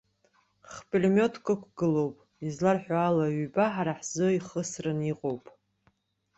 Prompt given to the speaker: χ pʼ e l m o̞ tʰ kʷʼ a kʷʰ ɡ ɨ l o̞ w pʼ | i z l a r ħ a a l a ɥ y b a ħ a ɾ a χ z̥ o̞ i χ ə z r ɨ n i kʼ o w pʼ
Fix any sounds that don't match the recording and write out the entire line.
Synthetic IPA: χ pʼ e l m o̞ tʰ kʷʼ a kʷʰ ɡ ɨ l o̞ w pʼ | i z l a r ħ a a l a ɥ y b a ħ a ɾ a ħ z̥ o̞ i χ ə s r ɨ n i qʼ o w pʼ